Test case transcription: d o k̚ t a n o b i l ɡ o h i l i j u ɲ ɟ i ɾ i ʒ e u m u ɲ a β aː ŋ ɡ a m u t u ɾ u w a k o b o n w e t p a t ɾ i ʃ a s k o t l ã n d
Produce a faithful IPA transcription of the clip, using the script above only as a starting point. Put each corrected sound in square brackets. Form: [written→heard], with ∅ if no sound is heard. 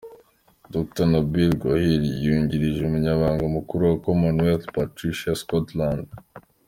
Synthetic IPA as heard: d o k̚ t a n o b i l ɡ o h i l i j u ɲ ɟ i ɾ i ʒ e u m u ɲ a β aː ŋ ɡ a m u [t→k] u ɾ u w a k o [b→m] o n w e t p a t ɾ i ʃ a s k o t l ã n d

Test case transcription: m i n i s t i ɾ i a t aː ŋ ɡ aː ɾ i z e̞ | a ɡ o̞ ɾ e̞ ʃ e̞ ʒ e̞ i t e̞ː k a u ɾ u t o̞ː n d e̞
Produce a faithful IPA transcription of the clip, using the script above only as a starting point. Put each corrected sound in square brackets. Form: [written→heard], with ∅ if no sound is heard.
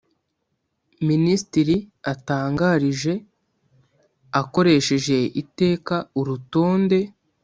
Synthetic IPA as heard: m i n i s t i ɾ i a t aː ŋ ɡ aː ɾ i [z→ʒ] e̞ | a [ɡ→k] o̞ ɾ e̞ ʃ e̞ ʒ e̞ i t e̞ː k a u ɾ u t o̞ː n d e̞

